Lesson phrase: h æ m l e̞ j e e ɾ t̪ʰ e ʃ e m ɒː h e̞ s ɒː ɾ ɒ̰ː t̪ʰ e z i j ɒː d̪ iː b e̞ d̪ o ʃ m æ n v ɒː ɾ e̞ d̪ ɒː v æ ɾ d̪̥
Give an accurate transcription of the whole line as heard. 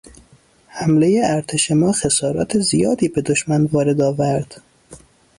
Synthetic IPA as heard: h æ m l e̞ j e æ ɾ t̪ʰ e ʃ e m ɒː x e̞ s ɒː ɾ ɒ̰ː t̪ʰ e z i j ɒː d̪ iː b e̞ d̪ o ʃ m æ n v ɒː ɾ e̞ d̪ ɒː v æ ɾ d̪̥